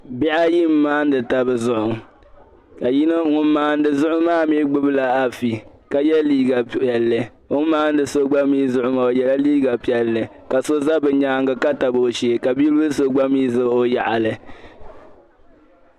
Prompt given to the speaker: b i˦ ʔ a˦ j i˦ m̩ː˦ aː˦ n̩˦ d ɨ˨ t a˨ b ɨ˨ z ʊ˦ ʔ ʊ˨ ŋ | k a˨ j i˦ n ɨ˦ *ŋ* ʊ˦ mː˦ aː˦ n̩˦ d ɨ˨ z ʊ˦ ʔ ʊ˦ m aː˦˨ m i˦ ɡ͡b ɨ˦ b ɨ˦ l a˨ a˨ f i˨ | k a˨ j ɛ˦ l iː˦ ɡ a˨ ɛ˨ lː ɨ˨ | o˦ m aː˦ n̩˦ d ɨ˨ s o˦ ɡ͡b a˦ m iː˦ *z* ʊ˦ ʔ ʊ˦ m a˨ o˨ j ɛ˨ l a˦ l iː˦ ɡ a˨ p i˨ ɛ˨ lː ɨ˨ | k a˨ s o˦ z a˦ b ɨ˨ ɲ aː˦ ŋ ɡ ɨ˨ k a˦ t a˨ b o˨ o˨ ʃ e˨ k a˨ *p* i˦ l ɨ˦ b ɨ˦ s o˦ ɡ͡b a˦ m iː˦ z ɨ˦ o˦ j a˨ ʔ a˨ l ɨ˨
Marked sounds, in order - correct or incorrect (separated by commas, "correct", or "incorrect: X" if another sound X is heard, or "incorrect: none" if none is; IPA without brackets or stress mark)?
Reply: correct, correct, incorrect: b